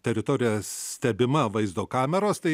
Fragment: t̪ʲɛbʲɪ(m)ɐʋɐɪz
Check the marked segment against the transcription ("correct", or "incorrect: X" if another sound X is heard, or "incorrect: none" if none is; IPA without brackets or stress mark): correct